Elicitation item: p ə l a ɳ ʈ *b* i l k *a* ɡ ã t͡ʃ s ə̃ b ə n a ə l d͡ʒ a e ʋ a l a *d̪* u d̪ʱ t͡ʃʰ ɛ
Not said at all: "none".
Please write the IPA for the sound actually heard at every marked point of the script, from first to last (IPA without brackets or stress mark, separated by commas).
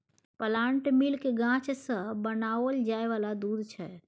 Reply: m, e, d̪